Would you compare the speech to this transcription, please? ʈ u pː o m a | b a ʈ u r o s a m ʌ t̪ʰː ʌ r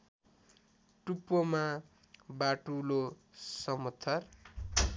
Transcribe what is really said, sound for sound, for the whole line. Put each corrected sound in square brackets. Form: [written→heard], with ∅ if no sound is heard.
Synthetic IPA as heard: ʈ u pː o m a | b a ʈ u [r→l] o s [a→ʌ] m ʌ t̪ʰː ʌ r